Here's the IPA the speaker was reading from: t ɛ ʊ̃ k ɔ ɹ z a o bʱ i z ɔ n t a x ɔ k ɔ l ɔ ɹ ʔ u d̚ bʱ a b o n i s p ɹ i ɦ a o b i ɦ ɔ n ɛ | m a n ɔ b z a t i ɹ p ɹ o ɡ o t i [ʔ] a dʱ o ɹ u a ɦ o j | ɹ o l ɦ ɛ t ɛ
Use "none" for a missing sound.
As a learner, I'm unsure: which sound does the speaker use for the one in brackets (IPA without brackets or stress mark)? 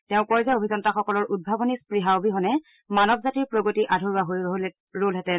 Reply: ʔ